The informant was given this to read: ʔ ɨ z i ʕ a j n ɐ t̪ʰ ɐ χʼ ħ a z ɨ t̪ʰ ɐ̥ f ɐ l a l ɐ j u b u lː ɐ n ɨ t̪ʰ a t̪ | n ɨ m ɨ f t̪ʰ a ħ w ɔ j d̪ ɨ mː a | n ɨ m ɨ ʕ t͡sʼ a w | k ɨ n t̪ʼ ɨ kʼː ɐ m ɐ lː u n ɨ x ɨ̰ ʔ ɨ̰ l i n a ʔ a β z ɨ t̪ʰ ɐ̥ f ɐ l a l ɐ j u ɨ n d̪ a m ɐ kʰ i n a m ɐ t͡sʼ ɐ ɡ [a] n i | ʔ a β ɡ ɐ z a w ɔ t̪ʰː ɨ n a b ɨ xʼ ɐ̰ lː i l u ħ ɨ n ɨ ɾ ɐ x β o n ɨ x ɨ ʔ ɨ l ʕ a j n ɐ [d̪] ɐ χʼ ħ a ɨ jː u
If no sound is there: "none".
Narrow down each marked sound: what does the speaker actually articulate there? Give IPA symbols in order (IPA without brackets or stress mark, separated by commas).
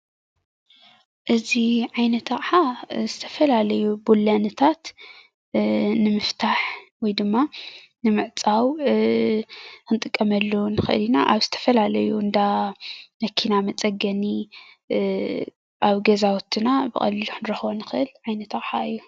ɐ, t̪